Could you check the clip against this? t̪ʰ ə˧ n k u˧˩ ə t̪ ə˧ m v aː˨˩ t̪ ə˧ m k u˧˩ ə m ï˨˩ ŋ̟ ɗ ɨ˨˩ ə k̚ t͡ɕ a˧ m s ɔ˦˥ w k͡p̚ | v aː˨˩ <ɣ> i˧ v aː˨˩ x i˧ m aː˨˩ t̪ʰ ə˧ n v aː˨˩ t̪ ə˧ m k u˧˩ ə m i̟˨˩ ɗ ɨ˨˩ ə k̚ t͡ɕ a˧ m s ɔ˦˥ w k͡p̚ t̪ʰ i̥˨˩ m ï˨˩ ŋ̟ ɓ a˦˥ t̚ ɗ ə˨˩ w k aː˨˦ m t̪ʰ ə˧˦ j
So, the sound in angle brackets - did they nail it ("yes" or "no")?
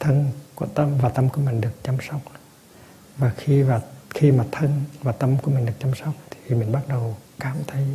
no